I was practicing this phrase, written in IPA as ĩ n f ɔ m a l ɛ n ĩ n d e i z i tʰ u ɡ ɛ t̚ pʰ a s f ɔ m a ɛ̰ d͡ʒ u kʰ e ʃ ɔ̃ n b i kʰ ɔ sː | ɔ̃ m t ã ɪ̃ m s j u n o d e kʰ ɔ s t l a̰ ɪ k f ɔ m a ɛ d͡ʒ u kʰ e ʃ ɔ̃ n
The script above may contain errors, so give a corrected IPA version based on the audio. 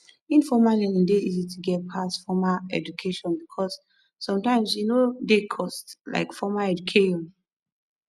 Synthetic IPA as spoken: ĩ n f ɔ m a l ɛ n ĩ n d e i z i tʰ u ɡ ɛ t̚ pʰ a s f ɔ m a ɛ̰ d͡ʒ u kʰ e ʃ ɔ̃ n b i kʰ ɔ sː | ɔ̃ m t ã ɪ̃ m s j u n o d e kʰ ɔ s t l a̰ ɪ k f ɔ m a ɛ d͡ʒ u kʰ e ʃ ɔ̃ n

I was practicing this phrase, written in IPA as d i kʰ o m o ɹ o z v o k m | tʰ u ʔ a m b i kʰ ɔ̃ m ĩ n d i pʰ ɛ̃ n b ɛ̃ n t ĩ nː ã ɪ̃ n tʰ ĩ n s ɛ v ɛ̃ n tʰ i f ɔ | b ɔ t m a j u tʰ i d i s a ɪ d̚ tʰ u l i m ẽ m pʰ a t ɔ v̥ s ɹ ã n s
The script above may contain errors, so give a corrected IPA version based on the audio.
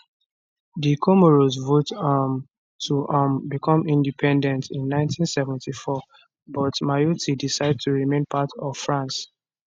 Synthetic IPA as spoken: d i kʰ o m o ɹ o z v o t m | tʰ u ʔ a m b i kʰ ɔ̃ m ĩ n d i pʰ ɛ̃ n d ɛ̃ n t ĩ nː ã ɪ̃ n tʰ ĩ n s ɛ v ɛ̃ n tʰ i f ɔ | b ɔ t m a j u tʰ i d i s a ɪ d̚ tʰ u ɹ i m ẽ n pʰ a t ɔ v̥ f ɹ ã n s

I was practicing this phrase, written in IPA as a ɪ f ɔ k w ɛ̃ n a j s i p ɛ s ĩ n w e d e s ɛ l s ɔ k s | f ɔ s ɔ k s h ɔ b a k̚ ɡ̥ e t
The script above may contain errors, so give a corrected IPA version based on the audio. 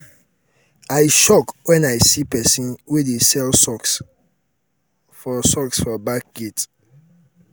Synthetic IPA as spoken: a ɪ ʃ ɔ k w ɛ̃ n a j s i p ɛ s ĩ n w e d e s ɛ l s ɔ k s | f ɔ s ɔ k s f ɔ b a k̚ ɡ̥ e t

